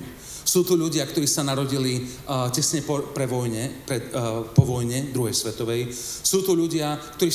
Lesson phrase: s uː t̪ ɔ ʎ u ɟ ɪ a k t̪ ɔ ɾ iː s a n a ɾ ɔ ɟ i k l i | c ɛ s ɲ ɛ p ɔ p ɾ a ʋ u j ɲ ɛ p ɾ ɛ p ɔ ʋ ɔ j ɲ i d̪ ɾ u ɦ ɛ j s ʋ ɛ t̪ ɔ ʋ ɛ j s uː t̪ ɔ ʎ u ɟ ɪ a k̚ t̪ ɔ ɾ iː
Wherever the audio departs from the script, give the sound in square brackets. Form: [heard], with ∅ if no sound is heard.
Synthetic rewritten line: s uː t̪ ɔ ʎ u ɟ ɪ a k t̪ ɔ ɾ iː s a n a ɾ ɔ ɟ i [∅] l i | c ɛ s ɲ ɛ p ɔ p ɾ [ɛ] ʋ [ɔ] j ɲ ɛ p ɾ ɛ p ɔ ʋ ɔ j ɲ [ɛ] d̪ ɾ u ɦ ɛ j s ʋ ɛ t̪ ɔ ʋ ɛ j s uː t̪ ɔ ʎ u ɟ ɪ a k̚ t̪ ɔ ɾ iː